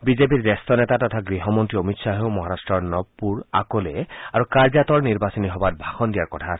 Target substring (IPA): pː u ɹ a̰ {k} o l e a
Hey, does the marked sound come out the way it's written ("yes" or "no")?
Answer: yes